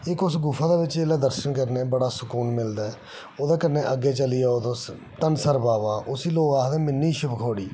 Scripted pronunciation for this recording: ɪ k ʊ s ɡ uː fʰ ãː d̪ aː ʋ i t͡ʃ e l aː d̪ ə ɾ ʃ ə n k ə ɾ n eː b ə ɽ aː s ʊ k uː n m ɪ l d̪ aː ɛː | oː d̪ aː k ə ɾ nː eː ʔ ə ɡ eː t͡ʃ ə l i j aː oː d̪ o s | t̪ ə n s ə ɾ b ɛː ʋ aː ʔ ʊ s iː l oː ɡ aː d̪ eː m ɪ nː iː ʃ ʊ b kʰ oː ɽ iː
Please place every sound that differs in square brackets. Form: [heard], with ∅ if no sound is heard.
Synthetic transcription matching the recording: ɪ k ʊ s ɡ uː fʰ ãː d̪ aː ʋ [ɪ] t͡ʃ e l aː d̪ ə ɾ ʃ ə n k ə ɾ n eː b ə ɽ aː s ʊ k uː n m ɪ l d̪ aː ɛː | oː d̪ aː k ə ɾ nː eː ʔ ə ɡ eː t͡ʃ ə l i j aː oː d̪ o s | t̪ ə n s ə ɾ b [aː] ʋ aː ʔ ʊ s iː l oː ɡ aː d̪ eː m ɪ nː iː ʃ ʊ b kʰ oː ɽ iː